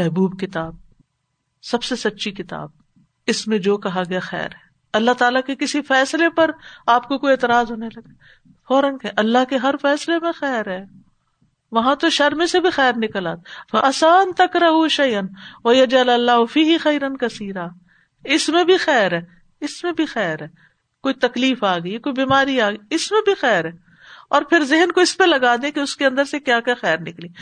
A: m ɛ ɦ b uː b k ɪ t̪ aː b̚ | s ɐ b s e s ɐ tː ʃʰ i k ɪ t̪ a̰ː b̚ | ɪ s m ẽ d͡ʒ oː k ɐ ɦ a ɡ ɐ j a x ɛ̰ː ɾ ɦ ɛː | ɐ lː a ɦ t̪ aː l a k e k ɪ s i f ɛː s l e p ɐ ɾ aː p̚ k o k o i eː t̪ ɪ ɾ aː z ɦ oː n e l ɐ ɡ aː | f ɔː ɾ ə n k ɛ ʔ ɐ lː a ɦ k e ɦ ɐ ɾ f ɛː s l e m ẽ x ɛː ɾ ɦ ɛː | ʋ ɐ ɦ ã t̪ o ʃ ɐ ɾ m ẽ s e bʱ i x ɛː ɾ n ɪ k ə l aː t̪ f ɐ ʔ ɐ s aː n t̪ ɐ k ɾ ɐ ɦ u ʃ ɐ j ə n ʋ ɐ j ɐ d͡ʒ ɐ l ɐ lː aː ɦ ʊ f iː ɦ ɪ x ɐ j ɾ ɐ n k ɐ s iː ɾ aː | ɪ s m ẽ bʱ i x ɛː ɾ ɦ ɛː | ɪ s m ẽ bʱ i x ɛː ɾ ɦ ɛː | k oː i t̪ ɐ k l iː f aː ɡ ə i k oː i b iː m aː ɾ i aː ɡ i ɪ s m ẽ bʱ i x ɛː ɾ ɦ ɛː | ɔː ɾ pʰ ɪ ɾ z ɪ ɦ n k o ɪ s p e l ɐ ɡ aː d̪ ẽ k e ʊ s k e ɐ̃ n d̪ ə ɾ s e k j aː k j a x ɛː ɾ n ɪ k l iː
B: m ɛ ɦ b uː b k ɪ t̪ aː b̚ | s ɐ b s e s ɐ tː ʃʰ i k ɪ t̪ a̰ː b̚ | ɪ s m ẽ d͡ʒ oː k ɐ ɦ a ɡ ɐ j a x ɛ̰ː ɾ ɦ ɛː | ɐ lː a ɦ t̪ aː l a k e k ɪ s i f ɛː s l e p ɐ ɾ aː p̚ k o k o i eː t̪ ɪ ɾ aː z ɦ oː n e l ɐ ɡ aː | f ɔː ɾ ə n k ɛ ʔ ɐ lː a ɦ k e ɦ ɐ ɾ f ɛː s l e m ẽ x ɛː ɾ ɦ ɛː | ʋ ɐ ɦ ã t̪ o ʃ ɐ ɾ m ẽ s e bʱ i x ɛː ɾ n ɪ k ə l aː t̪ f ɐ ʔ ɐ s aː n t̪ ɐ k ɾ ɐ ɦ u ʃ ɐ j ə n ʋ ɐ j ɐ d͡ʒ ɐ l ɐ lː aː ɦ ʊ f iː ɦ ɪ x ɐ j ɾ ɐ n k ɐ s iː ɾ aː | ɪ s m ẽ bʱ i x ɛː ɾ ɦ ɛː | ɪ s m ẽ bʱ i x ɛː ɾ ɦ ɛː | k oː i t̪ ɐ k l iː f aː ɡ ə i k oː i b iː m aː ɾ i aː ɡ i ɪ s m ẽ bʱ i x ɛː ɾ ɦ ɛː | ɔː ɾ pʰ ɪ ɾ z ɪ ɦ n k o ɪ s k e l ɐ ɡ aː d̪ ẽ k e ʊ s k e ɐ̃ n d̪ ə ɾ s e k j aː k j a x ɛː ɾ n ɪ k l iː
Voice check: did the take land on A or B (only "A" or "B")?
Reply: A